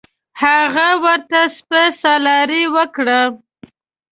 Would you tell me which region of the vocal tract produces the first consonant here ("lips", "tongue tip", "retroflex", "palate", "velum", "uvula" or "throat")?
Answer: throat